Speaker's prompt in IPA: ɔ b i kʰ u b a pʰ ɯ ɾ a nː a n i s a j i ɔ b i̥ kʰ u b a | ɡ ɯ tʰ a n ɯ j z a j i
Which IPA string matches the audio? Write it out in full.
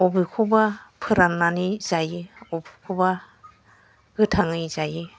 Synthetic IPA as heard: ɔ b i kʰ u b a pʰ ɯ ɾ a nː a n i z a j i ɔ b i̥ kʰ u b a | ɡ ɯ tʰ a ŋ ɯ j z a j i

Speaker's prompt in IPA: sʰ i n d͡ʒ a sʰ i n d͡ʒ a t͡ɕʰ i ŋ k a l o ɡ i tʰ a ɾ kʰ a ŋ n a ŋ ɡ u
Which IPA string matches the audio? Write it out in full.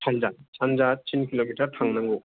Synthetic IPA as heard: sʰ a n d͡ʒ a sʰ a n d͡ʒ a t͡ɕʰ i n k i l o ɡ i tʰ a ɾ tʰ a ŋ n a ŋ ɡ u

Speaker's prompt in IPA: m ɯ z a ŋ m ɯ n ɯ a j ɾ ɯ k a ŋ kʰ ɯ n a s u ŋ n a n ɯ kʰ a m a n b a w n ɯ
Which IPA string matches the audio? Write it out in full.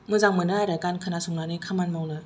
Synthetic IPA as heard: m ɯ z a ŋ m ɯ n ɯ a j ɾ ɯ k a n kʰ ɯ n a s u ŋ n a n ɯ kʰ a m a n m a w n ɯ

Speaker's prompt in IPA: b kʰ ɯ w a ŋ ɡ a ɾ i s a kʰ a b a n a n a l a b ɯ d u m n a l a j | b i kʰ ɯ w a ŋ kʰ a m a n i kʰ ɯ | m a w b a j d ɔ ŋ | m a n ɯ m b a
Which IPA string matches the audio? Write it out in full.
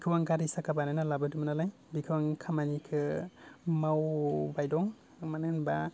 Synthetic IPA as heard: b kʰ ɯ w a ŋ ɡ a ɾ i s a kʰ a b a n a n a l a b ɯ d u m n a l a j | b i kʰ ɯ w a ŋ kʰ a m a n i kʰ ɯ | m a w b a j d ɔ ŋ | m a n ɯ n b a

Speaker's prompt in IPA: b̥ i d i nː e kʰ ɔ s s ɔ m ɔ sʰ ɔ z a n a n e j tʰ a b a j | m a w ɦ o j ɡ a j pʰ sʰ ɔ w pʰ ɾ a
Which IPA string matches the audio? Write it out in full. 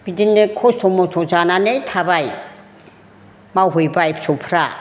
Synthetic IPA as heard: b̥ i d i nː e kʰ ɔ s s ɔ m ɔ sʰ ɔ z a n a n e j tʰ a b a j | m a w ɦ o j b a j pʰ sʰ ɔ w pʰ ɾ a

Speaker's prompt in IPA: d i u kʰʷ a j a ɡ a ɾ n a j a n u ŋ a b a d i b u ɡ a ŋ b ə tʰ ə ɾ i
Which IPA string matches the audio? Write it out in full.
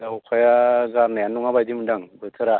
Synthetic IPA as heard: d a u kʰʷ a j a ɡ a ɾ n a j a n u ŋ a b a d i m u d a ŋ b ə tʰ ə ɾ a

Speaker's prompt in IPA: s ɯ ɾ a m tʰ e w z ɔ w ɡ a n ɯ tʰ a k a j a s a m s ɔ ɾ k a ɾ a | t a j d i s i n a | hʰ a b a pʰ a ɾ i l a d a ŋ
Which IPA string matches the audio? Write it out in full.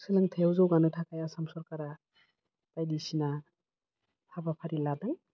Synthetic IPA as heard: s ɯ l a ŋ tʰ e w z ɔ w ɡ a n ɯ tʰ a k a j a s a m s ɔ ɾ k a ɾ a | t a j d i s i n a | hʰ a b a pʰ a ɾ i l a d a ŋ

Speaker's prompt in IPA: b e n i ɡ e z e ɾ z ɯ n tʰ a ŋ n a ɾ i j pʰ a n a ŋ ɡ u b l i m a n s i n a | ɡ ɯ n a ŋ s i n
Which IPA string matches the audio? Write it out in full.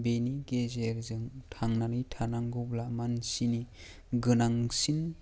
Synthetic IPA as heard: b e n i ɡ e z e ɾ z ɯ ŋ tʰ a ŋ n a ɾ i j tʰ a n a ŋ ɡ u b l a m a n s i n i | ɡ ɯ n a ŋ s i n

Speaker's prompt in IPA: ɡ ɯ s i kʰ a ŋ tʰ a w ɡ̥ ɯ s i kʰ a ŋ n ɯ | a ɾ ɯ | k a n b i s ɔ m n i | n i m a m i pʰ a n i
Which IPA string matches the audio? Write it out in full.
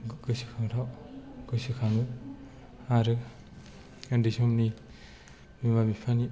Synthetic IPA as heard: ɡ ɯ s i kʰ a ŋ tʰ a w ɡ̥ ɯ s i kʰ a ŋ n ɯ | a ɾ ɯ | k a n d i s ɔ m n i | m i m a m i pʰ a n i

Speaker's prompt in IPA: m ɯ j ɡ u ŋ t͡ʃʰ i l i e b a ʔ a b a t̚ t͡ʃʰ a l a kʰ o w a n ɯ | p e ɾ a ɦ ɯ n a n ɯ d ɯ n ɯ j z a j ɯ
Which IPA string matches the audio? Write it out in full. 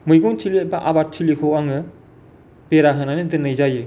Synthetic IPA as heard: m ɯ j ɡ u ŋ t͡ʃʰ i l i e b a ʔ a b a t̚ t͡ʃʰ i l i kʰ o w a ŋ ɯ | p e ɾ a ɦ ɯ n a n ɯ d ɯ n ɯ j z a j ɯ

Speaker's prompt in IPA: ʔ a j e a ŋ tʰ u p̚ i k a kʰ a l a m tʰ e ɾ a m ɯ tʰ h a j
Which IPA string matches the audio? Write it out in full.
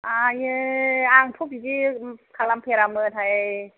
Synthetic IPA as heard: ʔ a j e a ŋ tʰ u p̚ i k i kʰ a l a m pʰ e ɾ a m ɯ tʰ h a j

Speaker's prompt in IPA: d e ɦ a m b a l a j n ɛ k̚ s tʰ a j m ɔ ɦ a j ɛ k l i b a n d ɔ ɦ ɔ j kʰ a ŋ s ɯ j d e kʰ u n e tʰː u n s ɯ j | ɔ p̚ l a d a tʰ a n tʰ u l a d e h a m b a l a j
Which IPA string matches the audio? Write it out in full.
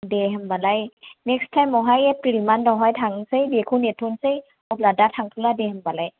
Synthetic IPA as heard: d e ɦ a m b a l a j n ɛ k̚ s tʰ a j m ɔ ɦ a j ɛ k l i m a n d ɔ ɦ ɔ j tʰ a ŋ s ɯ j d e kʰ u n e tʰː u n s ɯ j | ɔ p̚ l a d a tʰ a ŋ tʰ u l a d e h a m b a l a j

